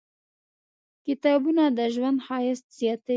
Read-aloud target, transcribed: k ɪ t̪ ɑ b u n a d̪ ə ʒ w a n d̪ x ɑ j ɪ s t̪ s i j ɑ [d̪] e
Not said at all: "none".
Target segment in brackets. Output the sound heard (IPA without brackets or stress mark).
t̪